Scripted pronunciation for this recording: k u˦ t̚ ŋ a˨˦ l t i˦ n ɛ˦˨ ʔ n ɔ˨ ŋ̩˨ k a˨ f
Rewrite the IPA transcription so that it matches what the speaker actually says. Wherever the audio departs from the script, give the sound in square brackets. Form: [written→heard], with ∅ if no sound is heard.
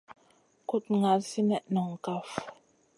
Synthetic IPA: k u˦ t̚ ŋ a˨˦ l [t→s] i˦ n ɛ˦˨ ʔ n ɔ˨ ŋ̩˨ k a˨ f